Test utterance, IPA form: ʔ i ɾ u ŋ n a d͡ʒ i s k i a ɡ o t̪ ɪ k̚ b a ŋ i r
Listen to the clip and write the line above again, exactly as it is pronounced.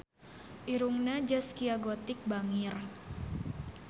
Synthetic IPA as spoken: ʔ i ɾ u ŋ n a d͡ʒ a s k i a ɡ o t̪ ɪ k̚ b a ŋ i r